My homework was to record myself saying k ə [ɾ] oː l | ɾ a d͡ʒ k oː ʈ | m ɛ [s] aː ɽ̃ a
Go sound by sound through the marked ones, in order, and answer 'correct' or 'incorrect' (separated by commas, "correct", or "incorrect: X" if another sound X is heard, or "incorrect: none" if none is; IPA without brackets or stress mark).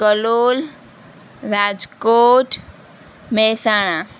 incorrect: l, correct